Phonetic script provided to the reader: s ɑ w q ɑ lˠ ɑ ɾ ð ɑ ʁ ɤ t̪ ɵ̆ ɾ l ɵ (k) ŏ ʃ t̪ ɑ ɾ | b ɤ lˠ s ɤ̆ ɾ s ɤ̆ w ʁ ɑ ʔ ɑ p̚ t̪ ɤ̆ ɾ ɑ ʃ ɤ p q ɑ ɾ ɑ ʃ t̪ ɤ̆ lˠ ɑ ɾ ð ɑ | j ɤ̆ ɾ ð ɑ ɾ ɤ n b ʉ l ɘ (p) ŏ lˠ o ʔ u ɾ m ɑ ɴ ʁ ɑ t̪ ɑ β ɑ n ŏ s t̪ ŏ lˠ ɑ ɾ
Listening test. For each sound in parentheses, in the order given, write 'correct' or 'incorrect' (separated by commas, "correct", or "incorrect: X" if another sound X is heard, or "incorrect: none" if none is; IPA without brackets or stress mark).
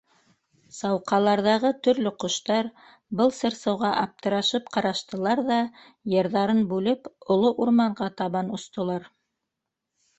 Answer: incorrect: q, correct